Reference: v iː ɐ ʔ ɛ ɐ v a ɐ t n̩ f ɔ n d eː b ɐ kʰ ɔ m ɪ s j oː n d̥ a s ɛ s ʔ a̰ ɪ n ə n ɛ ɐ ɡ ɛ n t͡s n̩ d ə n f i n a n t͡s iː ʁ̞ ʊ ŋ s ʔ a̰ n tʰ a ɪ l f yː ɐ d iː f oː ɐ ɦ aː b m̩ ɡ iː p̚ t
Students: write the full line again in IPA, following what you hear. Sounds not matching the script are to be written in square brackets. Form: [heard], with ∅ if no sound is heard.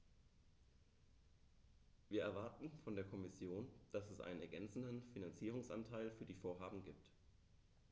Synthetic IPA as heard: v iː ɐ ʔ ɛ ɐ v a ɐ t n̩ f ɔ n d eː [∅] ɐ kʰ ɔ m ɪ s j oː n d̥ a s ɛ s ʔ a̰ ɪ n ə n ɛ ɐ ɡ ɛ n t͡s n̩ d ə n f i n a n t͡s iː ʁ̞ ʊ ŋ s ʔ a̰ n tʰ a ɪ l f yː ɐ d iː f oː ɐ ɦ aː b m̩ ɡ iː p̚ t